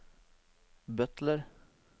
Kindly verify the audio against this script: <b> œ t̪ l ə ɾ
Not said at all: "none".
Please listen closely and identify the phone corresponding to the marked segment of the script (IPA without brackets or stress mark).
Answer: b